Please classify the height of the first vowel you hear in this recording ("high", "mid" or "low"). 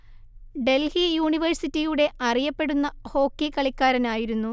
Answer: mid